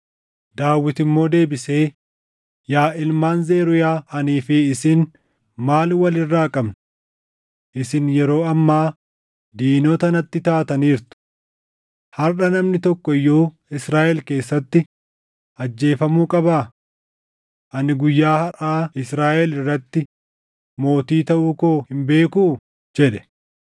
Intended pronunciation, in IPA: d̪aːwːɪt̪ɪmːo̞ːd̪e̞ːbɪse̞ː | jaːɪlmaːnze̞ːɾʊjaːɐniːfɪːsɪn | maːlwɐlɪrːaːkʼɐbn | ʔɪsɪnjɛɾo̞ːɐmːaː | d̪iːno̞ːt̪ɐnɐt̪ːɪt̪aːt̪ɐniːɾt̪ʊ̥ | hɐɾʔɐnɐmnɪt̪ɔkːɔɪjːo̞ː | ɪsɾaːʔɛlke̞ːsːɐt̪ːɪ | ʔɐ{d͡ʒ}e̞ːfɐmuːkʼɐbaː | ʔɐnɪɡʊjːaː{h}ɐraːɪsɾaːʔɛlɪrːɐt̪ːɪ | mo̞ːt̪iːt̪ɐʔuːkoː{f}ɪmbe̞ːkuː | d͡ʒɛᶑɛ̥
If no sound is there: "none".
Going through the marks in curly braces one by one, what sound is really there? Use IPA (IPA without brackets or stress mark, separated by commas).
d͡ʒː, h, h